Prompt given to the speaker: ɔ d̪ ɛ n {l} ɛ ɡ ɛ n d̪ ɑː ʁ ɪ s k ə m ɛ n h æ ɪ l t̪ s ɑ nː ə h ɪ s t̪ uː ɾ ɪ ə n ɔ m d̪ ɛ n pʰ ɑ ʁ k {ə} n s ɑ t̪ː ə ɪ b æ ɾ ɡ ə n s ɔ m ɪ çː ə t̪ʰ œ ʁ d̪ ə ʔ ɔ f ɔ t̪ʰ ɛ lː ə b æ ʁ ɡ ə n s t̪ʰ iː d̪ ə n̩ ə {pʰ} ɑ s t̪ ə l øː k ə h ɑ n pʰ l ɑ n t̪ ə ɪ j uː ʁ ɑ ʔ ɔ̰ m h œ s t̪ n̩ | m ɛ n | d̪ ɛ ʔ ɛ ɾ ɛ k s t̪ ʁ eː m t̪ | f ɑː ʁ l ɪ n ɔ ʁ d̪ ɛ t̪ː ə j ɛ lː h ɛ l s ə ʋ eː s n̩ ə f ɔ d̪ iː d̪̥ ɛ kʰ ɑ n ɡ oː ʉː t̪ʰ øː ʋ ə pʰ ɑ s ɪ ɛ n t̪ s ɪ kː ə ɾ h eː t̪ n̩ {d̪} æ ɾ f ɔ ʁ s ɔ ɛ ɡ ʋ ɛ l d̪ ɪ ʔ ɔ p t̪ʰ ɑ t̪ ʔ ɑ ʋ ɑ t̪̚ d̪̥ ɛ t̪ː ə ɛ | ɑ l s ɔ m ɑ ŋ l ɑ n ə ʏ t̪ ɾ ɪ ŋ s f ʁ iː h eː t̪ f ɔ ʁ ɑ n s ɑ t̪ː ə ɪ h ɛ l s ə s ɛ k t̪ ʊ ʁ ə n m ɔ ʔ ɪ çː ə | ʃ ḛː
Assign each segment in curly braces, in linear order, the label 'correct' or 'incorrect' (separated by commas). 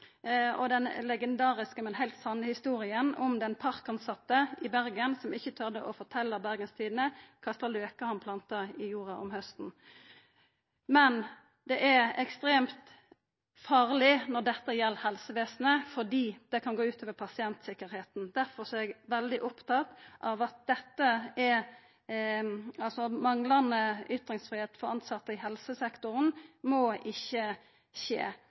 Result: correct, incorrect, incorrect, correct